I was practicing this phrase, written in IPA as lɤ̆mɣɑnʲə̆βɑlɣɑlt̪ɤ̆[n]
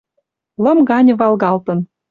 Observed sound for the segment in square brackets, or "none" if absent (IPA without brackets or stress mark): n